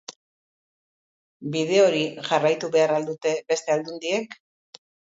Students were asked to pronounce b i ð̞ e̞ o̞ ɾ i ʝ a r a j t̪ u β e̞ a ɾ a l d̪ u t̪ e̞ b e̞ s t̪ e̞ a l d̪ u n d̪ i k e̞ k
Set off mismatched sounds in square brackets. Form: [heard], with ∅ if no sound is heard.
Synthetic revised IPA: b i ð̞ e̞ o̞ ɾ i ʝ a r a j t̪ u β e̞ a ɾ a l d̪ u t̪ e̞ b e̞ s t̪ e̞ a l d̪ u n d̪ i [∅] e̞ k